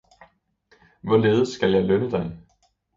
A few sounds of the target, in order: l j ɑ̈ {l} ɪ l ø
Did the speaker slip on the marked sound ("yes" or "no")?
yes